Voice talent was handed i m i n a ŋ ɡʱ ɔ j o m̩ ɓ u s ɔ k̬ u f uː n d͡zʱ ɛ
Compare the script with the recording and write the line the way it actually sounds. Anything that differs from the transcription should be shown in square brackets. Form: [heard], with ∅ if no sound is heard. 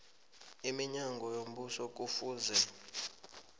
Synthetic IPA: i m i [ɲ] a ŋ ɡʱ ɔ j o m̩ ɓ u s ɔ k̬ u f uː n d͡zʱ ɛ